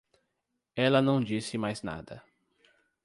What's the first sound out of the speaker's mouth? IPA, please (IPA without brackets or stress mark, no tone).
ɛ